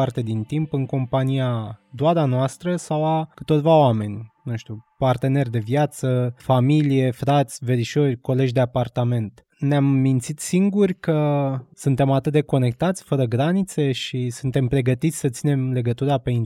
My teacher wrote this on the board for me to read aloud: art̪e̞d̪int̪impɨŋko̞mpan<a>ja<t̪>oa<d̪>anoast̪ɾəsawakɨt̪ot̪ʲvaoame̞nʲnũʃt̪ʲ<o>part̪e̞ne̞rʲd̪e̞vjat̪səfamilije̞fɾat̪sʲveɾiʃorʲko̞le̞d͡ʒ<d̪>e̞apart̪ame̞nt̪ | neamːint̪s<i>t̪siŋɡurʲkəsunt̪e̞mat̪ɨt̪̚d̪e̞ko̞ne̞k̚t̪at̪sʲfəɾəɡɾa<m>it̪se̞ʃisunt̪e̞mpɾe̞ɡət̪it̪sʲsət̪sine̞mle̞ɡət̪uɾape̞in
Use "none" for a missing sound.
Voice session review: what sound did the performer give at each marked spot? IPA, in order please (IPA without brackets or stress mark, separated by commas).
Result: i, d̪, d̪, u, d̪, i, n